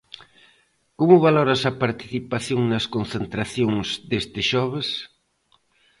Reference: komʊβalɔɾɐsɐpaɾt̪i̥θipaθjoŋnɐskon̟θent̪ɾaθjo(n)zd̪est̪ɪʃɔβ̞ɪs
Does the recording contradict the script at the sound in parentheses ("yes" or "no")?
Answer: yes